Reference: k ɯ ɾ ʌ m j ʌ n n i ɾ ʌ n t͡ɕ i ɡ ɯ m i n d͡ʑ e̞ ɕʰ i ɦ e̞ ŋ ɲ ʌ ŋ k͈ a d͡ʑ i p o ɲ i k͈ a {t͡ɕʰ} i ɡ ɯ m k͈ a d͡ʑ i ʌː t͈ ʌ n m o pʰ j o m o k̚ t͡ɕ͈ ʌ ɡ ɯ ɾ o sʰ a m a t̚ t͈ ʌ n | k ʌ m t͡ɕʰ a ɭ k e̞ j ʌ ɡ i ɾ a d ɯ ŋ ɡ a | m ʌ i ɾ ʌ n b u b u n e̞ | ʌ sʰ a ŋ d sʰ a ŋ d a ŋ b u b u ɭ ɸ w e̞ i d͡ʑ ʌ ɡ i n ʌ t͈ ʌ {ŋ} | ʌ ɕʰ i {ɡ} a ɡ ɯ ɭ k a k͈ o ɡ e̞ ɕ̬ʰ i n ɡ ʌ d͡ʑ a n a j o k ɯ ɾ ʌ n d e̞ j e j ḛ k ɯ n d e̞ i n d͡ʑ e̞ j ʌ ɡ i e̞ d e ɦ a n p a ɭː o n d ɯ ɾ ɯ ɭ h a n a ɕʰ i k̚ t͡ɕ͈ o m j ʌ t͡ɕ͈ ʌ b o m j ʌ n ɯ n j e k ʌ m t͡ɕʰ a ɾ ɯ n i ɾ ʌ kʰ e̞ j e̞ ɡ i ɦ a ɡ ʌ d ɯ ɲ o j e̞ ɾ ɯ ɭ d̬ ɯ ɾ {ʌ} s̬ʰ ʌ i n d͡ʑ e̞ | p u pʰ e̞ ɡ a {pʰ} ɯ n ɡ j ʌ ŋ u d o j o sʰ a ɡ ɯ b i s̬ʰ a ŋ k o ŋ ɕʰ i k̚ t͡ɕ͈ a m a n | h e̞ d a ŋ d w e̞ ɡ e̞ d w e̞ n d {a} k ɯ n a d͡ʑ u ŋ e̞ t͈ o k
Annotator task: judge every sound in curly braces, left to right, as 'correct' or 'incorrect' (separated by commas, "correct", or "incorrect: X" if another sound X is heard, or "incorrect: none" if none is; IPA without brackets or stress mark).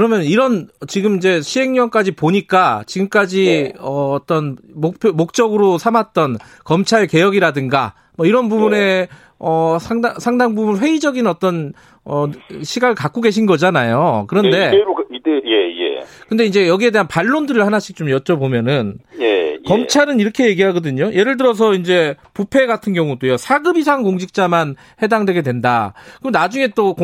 incorrect: t͡ɕ, incorrect: n, correct, correct, incorrect: tʰ, correct